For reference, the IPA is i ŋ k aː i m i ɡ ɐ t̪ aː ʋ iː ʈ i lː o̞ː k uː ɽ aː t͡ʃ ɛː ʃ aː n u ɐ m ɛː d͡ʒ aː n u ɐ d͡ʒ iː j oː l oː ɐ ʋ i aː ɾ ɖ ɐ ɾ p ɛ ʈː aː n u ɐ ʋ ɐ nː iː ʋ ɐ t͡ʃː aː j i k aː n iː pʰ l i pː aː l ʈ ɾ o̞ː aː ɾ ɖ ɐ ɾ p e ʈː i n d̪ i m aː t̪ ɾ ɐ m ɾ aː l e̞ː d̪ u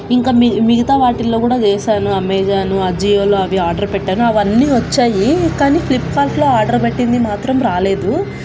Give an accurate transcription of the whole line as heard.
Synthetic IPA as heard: i ŋ k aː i m i ɡ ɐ t̪ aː ʋ aː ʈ i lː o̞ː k uː ɽ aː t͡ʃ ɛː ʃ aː n u ɐ m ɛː d͡ʒ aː n u ɐ d͡ʒ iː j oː l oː ɐ ʋ i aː ɾ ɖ ɐ ɾ p ɛ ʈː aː n u ɐ ʋ ɐ nː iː ʋ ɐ t͡ʃː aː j i k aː n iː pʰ l i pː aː l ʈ l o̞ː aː ɾ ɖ ɐ ɾ p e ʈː i n d̪ i m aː t̪ ɾ ɐ m ɾ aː l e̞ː d̪ u